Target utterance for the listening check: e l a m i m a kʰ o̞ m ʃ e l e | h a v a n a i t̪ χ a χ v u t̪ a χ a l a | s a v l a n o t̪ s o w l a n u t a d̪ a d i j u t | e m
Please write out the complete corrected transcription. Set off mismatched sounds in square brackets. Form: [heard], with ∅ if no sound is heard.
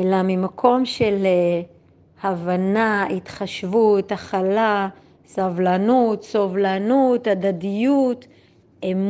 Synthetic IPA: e l a m i m a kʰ o̞ m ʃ e l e | h a v a n a i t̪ χ a [ʃ] v u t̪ a χ a l a | s a v l a n [u] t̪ s o [v] l a n u t a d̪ a d i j u t | e m